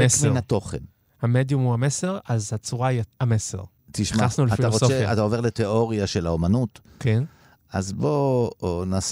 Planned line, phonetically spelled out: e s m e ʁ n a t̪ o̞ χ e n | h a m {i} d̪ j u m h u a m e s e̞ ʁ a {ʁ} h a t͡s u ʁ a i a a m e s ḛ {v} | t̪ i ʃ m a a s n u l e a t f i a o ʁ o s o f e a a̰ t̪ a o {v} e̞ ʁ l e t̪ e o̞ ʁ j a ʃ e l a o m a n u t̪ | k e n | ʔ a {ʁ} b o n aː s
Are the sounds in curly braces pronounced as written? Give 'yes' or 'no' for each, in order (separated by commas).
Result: no, no, no, yes, no